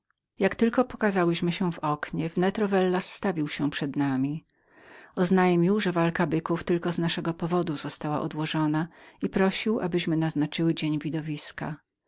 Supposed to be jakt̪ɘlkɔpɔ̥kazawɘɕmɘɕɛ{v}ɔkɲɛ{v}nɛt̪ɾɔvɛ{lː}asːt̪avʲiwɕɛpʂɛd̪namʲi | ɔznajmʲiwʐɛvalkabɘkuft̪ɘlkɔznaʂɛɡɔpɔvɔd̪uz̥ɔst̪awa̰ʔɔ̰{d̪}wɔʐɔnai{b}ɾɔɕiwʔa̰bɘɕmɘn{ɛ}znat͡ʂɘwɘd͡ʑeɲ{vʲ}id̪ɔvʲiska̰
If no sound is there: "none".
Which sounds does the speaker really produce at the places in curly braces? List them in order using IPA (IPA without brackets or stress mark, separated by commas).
v, v, lː, d̪, p, a, vʲ